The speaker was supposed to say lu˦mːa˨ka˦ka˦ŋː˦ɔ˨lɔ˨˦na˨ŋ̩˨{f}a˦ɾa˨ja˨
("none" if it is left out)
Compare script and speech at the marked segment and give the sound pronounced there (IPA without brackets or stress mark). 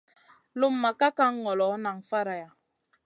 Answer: f